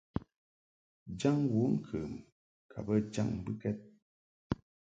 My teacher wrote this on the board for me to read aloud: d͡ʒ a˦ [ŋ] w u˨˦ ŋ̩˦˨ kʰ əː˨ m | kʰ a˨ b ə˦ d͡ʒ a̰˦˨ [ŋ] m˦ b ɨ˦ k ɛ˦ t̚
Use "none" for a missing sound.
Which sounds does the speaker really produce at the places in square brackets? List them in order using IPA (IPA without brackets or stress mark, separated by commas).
ŋ, ŋ